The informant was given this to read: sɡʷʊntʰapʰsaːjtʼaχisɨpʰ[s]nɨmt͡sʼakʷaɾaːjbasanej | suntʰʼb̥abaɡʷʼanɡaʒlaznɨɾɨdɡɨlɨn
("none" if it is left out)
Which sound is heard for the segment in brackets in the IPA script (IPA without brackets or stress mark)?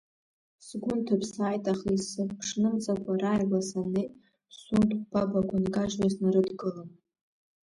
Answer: ʂ